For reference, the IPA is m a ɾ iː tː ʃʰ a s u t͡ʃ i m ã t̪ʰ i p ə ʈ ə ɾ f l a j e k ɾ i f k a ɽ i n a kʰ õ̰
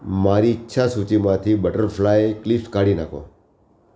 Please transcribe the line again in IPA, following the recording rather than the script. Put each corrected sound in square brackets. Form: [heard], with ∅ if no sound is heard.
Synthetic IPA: m a ɾ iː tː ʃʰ a s u t͡ʃ i m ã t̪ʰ i [b] ə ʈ ə ɾ f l a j e k [l] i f k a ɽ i n a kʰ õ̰